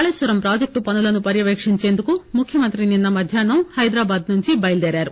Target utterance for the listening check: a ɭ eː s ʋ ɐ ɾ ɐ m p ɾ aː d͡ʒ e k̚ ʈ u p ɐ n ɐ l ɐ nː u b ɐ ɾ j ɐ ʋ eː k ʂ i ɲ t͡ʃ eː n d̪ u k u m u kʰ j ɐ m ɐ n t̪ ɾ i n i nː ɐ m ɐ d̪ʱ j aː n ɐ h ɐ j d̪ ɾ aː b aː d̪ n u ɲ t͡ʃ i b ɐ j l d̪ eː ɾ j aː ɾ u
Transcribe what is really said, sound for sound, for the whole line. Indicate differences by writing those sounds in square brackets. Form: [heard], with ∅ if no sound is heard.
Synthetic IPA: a ɭ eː s ʋ ɐ ɾ ɐ m p ɾ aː d͡ʒ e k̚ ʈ u p ɐ n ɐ l ɐ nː u [p] ɐ ɾ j ɐ ʋ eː k ʂ i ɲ t͡ʃ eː n d̪ u k u m u kʰ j ɐ m ɐ n t̪ ɾ i n i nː ɐ m ɐ d̪ʱ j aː n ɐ h ɐ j d̪ ɾ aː b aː d̪ n u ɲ t͡ʃ i b ɐ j l d̪ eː ɾ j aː ɾ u